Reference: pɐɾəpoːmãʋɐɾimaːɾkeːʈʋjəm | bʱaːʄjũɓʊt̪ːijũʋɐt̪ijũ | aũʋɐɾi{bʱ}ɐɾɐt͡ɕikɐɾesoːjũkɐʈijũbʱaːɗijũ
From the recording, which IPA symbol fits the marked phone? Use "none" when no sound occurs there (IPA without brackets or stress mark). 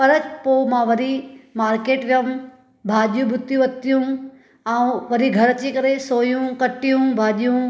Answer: ɡʱ